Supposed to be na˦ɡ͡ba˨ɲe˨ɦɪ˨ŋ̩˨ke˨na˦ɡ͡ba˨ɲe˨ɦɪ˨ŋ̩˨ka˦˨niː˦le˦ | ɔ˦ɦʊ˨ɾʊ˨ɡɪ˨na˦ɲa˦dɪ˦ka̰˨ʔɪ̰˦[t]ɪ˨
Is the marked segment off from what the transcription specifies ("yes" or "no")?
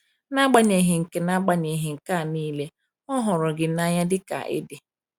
yes